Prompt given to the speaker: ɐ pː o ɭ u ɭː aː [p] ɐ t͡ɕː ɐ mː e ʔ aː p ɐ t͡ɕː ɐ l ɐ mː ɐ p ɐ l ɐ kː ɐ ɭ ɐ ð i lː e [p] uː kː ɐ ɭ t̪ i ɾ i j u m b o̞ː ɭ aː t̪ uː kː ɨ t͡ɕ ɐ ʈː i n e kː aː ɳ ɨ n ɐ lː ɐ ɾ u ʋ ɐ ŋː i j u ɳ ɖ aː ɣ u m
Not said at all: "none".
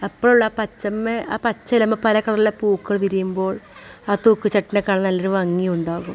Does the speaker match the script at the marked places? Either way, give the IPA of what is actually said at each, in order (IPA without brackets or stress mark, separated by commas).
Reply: p, p